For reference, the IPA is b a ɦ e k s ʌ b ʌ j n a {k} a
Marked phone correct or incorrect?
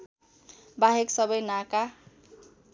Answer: correct